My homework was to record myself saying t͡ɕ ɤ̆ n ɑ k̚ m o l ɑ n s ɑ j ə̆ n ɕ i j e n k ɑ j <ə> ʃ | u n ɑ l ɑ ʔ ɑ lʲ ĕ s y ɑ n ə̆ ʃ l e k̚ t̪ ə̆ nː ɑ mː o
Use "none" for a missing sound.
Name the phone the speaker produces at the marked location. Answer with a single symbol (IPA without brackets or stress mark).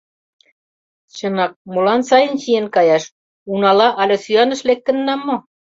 ɑ